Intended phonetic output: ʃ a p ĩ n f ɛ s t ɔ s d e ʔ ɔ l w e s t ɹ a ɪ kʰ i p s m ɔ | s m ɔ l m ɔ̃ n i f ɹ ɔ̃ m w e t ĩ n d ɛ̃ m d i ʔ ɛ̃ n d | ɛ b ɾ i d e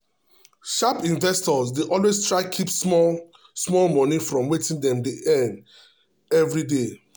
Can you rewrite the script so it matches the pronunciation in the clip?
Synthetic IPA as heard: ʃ a p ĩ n v ɛ s t ɔ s d e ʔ ɔ l w e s t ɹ a ɪ kʰ i p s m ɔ | s m ɔ l m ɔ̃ n i f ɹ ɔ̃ m w e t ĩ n d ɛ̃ m d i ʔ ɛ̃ n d | ɛ v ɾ i d e